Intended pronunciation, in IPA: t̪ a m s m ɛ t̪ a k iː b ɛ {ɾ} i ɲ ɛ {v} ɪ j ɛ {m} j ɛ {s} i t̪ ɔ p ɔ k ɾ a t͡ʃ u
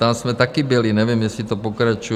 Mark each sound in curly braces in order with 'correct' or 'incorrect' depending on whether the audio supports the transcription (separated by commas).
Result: incorrect, incorrect, correct, correct